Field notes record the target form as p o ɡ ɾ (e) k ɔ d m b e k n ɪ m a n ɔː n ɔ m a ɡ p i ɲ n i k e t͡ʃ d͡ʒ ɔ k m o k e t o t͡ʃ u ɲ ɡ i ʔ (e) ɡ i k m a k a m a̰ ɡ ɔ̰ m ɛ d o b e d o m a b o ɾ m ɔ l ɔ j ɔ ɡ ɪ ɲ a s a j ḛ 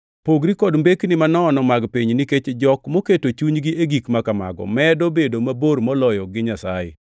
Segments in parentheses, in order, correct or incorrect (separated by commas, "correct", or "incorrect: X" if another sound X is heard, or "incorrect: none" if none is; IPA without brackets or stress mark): incorrect: i, correct